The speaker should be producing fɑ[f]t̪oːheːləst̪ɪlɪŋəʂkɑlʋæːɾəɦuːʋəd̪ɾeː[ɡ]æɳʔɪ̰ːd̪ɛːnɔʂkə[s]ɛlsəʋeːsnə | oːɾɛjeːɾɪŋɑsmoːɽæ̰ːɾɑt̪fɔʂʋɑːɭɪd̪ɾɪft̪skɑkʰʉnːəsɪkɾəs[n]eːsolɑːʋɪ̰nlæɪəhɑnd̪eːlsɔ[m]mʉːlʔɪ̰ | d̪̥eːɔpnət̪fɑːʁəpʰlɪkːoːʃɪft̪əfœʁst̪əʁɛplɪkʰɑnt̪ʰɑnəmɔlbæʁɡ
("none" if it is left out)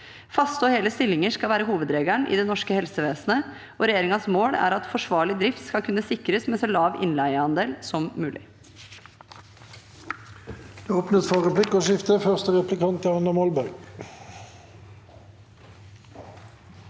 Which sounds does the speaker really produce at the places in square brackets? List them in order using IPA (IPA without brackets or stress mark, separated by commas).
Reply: s, ɡ, h, m, m